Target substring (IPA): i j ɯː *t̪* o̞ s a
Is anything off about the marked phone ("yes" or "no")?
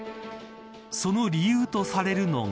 no